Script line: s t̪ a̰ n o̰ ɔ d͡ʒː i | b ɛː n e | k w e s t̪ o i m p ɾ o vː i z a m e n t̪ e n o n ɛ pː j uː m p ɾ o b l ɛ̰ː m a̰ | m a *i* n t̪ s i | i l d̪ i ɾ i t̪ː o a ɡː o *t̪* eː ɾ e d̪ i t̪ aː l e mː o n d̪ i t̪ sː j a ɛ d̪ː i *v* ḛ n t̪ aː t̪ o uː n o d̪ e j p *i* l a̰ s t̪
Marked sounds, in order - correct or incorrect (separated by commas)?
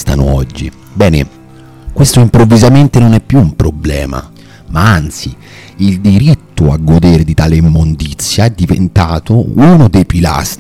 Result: incorrect, incorrect, correct, correct